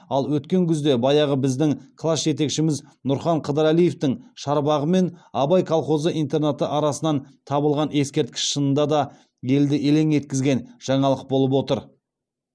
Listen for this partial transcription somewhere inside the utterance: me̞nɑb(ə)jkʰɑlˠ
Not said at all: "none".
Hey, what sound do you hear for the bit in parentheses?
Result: ɑ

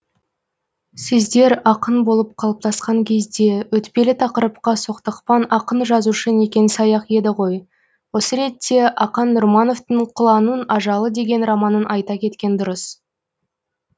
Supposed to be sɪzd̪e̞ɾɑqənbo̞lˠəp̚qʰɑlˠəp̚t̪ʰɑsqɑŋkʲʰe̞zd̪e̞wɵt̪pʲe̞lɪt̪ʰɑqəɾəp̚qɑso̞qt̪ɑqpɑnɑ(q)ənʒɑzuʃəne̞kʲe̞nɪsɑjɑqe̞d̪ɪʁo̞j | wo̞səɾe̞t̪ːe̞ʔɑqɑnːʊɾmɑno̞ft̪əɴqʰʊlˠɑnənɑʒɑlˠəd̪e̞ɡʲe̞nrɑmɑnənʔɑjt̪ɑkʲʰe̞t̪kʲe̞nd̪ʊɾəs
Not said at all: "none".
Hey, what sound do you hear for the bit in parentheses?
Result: q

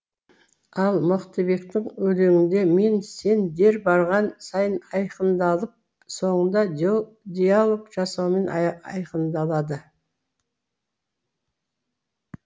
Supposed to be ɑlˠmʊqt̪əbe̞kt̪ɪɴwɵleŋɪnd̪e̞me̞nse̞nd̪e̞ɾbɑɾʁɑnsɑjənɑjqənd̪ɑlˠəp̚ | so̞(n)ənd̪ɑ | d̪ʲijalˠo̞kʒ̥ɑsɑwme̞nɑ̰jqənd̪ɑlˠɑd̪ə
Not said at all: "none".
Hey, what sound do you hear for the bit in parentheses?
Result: ɴ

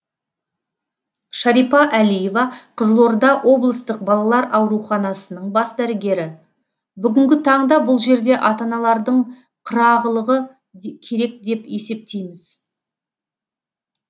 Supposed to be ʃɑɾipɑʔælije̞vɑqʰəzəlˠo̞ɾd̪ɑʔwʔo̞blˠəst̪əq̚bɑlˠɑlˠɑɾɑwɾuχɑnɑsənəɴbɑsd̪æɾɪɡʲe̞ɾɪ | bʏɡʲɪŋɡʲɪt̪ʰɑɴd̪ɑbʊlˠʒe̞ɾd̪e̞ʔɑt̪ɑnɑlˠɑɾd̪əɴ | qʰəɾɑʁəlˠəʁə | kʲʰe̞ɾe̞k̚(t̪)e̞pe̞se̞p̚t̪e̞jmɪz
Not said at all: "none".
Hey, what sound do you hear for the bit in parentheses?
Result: d̪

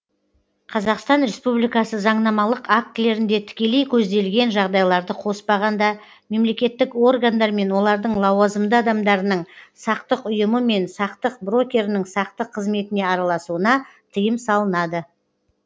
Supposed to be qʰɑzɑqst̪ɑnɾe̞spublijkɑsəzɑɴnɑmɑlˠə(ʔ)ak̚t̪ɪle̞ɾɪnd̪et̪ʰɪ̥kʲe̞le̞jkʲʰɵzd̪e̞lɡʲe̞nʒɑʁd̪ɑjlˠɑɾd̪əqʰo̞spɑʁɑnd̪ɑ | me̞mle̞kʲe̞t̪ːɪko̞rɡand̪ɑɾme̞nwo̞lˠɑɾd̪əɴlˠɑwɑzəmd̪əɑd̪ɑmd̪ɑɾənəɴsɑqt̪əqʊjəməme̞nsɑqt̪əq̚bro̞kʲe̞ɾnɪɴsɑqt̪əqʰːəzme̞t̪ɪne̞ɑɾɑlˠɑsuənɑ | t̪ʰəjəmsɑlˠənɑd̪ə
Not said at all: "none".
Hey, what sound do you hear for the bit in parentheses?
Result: q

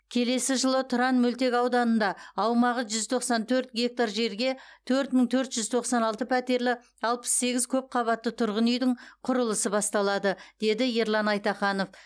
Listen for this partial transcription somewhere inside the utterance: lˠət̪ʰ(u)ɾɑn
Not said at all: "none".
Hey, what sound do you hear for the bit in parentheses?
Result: ʊ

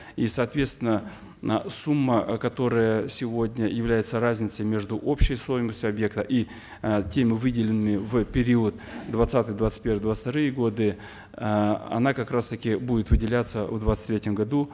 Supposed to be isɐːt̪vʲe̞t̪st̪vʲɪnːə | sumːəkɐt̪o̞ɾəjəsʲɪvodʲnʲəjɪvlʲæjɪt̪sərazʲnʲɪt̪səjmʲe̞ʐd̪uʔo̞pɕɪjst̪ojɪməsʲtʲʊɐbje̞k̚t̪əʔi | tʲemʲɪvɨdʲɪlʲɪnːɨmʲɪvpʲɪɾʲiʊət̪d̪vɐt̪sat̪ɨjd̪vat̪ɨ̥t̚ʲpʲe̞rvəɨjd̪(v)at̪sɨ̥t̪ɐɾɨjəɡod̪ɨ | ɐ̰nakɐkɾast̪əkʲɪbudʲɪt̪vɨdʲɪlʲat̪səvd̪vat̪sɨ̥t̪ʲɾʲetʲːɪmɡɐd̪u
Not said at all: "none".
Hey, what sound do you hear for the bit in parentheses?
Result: v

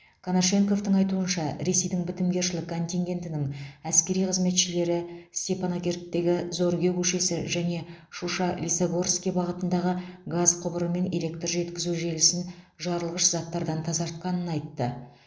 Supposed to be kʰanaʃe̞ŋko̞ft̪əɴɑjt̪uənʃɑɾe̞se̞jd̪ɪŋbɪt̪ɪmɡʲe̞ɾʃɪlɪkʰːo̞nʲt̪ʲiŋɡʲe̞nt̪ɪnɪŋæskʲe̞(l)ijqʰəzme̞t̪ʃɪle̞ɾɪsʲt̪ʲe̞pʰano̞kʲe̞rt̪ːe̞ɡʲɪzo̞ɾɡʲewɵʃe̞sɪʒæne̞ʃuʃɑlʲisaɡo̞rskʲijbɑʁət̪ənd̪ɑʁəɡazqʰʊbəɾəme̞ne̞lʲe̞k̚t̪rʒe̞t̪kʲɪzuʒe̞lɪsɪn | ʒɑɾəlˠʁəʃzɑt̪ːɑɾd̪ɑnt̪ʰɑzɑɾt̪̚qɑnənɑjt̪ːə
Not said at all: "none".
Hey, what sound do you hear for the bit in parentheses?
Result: ɾ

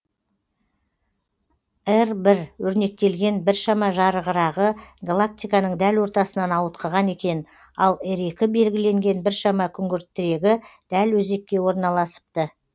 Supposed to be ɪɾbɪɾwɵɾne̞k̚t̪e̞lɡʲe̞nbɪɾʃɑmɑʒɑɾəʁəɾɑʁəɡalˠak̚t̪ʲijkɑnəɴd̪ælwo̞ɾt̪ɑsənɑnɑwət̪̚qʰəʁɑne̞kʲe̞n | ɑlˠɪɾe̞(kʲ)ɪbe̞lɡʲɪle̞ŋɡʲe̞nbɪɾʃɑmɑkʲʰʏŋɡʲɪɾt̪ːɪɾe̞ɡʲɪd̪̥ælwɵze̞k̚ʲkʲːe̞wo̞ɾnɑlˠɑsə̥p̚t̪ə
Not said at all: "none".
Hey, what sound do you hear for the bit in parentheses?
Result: kʲ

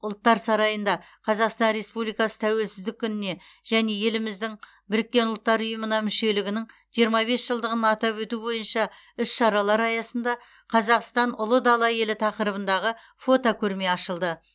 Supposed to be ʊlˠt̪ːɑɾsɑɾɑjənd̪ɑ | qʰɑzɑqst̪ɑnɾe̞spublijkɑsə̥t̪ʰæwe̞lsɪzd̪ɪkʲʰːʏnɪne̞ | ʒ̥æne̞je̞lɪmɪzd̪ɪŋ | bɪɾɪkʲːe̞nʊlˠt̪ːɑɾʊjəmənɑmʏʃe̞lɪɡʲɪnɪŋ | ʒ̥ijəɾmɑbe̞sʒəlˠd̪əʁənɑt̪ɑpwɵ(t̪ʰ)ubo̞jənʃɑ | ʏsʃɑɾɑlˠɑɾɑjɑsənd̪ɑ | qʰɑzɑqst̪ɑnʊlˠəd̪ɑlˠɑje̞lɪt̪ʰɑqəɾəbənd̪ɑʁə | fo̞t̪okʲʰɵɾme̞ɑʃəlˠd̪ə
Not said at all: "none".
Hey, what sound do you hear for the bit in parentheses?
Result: t̪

